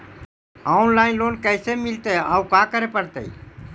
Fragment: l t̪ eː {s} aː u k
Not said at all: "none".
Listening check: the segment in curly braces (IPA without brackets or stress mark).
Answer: none